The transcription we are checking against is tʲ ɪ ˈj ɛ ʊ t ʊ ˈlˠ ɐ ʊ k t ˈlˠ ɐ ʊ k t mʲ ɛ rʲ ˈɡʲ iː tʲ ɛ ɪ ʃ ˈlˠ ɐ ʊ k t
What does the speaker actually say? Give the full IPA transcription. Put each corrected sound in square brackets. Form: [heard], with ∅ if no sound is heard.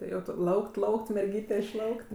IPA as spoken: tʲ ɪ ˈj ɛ ʊ t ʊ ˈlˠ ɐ ʊ k t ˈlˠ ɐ ʊ k t mʲ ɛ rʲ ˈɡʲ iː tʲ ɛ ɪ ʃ ˈlˠ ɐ ʊ k t